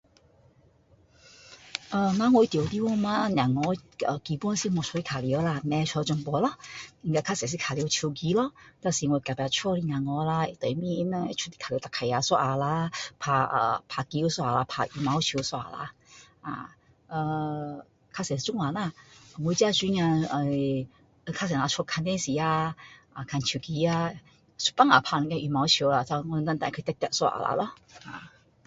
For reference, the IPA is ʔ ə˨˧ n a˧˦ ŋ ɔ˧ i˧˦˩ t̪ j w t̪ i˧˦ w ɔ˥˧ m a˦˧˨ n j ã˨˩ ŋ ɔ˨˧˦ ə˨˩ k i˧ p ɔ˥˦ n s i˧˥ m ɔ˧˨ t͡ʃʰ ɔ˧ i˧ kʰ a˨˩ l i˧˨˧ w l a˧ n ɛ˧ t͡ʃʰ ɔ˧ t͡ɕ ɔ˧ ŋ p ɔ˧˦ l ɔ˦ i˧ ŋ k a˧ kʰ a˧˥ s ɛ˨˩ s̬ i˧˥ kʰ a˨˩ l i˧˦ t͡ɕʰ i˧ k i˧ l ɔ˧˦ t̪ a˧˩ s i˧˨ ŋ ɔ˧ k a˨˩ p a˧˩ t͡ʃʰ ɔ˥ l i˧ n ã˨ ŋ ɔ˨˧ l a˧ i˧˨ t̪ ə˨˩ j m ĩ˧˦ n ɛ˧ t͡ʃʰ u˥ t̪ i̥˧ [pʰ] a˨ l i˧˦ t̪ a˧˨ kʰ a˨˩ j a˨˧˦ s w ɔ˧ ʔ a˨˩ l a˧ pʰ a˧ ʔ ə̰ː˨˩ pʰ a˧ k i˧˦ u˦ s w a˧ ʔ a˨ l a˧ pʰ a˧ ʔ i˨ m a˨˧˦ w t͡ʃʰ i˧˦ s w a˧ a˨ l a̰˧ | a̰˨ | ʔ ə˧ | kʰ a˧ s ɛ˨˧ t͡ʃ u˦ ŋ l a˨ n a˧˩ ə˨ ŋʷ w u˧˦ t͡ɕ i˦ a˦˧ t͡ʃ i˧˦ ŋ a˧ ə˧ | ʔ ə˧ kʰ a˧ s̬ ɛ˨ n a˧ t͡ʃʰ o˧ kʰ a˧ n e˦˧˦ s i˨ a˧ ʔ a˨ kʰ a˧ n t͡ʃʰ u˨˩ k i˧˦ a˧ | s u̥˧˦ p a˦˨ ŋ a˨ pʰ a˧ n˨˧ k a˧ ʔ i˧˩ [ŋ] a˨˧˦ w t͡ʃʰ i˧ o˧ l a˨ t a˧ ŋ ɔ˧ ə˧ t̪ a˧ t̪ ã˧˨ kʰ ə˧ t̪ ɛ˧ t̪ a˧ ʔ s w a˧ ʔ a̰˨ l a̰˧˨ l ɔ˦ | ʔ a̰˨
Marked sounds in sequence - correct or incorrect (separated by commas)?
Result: incorrect, incorrect